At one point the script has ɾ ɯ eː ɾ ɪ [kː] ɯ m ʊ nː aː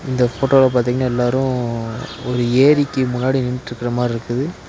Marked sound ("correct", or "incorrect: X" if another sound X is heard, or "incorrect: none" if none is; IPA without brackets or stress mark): correct